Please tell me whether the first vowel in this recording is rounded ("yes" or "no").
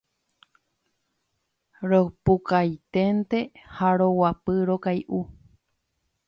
yes